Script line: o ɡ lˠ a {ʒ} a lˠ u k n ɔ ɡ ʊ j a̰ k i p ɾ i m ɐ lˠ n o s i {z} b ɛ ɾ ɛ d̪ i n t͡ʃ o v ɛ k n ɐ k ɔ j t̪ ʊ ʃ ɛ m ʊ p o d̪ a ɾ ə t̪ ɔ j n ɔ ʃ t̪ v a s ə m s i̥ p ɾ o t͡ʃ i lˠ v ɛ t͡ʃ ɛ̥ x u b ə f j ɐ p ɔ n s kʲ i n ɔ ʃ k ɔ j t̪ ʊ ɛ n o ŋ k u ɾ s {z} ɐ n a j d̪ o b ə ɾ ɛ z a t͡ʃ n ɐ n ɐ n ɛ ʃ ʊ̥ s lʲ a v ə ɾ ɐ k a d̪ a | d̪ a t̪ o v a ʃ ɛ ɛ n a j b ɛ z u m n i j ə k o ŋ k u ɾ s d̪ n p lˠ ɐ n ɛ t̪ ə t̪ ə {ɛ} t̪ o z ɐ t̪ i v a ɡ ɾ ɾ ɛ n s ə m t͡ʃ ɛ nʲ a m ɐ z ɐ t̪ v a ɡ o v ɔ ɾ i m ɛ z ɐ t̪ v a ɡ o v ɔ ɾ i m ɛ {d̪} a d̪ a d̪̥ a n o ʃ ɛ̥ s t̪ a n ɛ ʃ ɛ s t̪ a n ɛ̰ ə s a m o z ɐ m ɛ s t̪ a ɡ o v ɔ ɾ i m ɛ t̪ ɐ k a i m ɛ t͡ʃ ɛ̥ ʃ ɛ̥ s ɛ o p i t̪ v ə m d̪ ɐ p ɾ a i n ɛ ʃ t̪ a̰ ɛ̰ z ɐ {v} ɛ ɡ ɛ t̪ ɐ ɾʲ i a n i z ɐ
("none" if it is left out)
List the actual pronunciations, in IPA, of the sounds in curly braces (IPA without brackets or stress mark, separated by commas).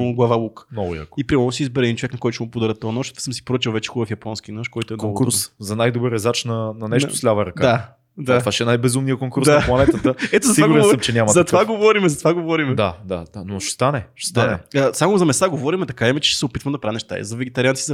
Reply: v, z, z, ɛ, d̪, v